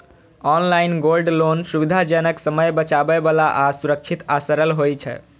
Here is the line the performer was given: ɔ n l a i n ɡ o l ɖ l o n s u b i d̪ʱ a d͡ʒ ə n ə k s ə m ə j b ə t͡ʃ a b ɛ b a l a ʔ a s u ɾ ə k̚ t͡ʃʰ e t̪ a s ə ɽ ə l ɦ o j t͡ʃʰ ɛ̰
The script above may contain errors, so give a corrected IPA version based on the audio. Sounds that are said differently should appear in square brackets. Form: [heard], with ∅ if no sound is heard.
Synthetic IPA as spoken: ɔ n l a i n ɡ o l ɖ l o n s u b i d̪ʱ a d͡ʒ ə n ə k s ə m ə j b ə t͡ʃ a b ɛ b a l a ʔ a s u ɾ ə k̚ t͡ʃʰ [i] t̪ a s ə [ɾ] ə l ɦ o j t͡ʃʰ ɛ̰